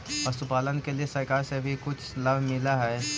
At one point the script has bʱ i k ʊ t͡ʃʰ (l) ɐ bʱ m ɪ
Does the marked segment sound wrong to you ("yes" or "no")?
no